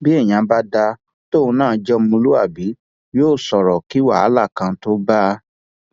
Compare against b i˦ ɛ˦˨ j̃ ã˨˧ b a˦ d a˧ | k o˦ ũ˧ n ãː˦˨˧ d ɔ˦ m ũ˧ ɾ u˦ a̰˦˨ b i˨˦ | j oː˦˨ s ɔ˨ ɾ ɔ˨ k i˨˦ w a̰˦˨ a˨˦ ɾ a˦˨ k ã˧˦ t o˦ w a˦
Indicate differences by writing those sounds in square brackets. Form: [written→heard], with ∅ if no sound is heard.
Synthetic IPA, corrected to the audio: b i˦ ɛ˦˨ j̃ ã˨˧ b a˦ d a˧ | [k→t] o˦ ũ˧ n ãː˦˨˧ [d→d͡ʒ] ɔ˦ m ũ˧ [ɾ→l] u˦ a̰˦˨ b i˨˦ | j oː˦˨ s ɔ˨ ɾ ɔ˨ k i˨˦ w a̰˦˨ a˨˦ [ɾ→l] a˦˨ k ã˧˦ t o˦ [w→b] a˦